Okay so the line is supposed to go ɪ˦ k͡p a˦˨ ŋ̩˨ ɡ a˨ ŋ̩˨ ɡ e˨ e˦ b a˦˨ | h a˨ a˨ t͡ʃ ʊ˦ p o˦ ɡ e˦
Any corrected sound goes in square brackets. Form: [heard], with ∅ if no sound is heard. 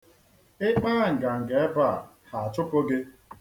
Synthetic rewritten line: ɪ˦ k͡p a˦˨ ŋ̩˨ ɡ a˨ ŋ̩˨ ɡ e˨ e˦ b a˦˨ | h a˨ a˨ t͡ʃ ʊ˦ p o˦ ɡ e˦